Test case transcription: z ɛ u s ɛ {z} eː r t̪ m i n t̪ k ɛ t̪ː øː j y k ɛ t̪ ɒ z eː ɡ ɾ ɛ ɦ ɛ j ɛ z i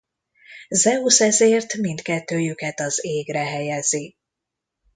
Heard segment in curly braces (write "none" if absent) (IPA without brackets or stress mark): z